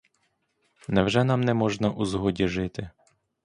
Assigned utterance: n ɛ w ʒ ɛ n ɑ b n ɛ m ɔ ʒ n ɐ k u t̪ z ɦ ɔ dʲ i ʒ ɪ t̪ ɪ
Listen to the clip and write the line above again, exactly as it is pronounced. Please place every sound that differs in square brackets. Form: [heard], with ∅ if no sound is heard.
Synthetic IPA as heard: n ɛ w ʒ ɛ n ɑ [m] n ɛ m ɔ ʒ n ɐ [ʔ] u [∅] z ɦ ɔ dʲ i ʒ ɪ t̪ ɪ